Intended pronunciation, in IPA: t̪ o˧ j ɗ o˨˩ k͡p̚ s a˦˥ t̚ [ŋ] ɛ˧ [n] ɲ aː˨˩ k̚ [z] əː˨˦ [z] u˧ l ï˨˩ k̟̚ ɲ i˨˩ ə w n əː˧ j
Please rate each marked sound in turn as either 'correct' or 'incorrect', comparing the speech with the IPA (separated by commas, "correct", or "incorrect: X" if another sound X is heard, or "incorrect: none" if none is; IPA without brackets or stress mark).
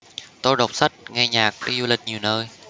correct, incorrect: none, incorrect: v, correct